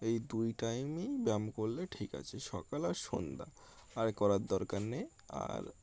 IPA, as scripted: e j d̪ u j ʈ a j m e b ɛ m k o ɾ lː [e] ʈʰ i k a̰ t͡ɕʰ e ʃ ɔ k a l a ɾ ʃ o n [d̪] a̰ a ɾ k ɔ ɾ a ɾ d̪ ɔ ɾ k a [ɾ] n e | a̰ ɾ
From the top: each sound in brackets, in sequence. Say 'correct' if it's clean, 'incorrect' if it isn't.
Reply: correct, correct, correct

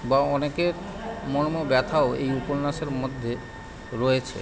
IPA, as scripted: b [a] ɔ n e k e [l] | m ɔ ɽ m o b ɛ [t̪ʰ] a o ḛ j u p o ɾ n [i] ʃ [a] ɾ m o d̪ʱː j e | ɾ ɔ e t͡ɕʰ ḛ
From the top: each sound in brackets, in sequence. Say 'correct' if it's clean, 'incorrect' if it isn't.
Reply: correct, incorrect, correct, incorrect, incorrect

